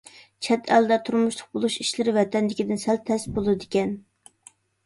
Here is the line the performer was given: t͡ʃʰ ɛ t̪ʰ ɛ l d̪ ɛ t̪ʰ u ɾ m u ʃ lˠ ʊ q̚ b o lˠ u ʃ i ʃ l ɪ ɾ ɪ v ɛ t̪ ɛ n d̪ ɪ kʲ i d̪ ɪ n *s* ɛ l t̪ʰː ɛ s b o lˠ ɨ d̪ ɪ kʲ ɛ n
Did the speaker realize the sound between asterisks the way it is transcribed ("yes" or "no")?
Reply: yes